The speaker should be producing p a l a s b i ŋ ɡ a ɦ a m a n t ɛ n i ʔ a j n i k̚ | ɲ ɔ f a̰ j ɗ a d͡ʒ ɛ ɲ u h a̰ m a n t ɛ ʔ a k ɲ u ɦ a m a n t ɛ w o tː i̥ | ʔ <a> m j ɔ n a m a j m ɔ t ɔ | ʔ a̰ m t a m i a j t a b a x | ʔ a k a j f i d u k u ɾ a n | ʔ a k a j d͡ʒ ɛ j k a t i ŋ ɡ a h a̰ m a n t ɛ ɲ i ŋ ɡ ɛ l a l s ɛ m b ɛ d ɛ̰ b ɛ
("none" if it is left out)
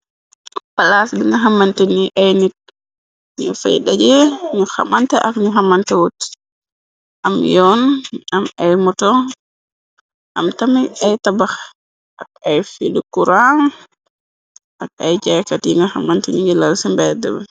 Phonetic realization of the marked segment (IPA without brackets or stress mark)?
a